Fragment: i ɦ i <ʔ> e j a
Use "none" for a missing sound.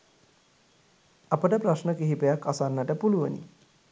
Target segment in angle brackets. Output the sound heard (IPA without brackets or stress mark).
p